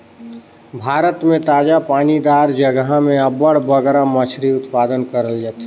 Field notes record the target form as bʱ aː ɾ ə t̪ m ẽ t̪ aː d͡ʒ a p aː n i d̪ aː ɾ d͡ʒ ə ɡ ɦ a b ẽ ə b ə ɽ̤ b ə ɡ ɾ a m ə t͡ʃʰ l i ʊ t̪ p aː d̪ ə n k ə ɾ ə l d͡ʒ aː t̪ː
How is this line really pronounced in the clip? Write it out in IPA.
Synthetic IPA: bʱ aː ɾ ə t̪ m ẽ t̪ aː d͡ʒ a p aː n i d̪ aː ɾ d͡ʒ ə ɡ ɦ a m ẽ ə b ə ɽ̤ b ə ɡ ɾ a m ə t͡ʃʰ ɾ i ʊ t̪ p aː d̪ ə n k ə ɾ ə l d͡ʒ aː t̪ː